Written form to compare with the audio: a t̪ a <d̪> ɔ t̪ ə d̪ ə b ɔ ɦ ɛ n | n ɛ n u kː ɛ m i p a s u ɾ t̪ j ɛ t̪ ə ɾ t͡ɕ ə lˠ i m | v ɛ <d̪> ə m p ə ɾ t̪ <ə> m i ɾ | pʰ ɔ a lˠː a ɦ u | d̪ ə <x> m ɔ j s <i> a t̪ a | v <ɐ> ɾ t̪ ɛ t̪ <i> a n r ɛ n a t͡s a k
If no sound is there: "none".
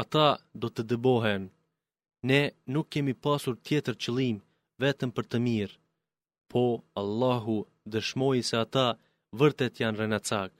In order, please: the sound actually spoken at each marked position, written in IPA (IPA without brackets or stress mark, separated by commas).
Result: d̪, t̪, ə, ʃ, ɛ, ə, j